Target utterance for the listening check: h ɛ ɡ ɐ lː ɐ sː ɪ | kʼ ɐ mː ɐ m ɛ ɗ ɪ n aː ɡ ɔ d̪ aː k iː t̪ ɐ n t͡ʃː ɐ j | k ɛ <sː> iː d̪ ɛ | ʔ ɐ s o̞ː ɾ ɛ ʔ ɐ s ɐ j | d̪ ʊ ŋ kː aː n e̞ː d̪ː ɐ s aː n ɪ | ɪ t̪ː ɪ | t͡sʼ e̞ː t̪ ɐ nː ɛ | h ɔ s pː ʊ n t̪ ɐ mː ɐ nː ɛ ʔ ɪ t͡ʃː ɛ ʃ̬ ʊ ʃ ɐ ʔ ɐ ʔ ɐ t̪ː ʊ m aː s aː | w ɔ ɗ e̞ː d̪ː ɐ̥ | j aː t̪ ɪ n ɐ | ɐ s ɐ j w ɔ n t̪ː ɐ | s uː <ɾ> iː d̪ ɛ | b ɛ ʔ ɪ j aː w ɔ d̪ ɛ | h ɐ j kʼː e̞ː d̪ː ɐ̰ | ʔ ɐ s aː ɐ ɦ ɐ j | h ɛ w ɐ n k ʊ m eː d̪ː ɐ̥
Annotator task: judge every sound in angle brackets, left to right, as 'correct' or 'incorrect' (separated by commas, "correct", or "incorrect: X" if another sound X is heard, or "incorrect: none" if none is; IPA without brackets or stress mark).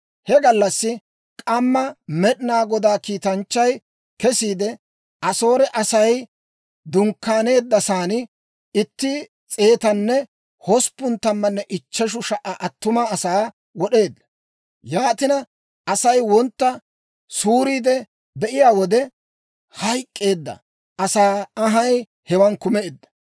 incorrect: s, correct